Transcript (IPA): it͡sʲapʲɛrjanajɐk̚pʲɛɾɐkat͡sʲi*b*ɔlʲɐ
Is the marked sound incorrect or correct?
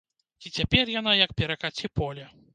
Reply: incorrect